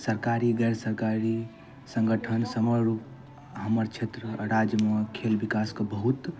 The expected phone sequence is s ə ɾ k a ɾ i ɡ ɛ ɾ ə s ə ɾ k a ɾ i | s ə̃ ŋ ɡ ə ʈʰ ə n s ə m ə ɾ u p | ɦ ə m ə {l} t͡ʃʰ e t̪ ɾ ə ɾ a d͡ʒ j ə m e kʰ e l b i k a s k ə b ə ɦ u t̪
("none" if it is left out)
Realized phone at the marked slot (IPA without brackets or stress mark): ɾ